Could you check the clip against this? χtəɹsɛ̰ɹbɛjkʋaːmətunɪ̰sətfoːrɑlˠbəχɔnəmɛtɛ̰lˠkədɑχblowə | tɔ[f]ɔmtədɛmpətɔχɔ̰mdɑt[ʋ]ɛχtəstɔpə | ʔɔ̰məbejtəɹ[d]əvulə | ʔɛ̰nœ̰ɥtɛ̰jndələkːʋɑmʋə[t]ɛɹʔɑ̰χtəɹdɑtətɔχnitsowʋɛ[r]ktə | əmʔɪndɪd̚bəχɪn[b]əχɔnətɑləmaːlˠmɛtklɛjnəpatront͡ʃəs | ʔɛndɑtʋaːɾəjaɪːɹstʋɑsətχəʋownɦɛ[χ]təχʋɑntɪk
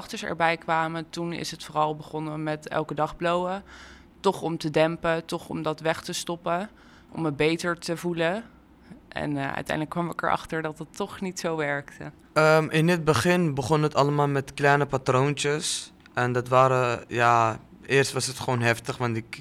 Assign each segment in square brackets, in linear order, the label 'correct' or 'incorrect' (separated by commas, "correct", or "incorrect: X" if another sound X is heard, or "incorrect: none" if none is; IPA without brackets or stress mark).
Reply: incorrect: χ, correct, incorrect: t, incorrect: k, incorrect: ɹ, correct, incorrect: f